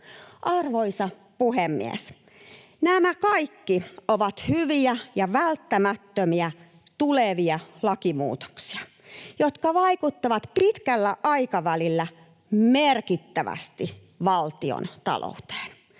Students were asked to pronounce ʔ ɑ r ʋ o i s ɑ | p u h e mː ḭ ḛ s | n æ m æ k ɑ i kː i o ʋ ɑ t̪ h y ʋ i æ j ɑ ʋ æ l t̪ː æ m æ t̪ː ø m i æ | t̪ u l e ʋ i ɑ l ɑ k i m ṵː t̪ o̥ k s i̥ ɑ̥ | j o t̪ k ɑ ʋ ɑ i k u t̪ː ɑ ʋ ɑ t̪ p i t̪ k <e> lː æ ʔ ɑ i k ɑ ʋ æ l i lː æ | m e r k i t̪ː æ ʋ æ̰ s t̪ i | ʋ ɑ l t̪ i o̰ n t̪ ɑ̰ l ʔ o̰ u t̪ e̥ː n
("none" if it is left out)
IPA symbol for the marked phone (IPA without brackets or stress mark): æ